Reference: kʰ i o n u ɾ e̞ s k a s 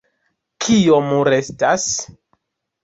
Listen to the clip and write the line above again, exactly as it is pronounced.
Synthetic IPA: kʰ i o m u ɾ e̞ s t a s